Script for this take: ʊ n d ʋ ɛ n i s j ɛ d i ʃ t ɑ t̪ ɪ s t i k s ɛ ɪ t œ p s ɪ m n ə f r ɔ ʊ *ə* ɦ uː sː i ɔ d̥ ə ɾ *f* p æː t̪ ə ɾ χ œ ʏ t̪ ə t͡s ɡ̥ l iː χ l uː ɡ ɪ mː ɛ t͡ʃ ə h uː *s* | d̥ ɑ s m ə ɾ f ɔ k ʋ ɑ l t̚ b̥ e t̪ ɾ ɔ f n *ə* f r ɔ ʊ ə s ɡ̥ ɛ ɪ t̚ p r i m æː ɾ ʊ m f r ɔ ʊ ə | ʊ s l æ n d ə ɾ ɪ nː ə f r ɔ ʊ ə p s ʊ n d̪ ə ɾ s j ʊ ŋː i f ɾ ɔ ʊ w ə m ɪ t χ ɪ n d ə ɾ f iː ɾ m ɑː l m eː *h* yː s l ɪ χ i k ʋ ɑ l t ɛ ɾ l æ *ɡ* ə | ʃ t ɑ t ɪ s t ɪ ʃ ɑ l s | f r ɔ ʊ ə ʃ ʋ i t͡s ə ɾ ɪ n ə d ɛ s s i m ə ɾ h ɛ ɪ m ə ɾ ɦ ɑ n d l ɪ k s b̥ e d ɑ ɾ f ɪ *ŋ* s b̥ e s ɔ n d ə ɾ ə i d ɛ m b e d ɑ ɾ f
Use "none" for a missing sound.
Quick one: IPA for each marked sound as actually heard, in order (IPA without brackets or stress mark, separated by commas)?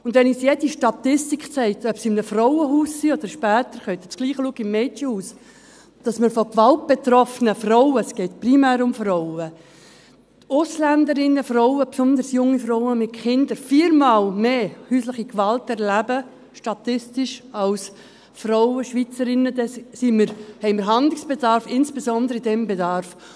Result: ə, ʃ, s, ə, h, b, n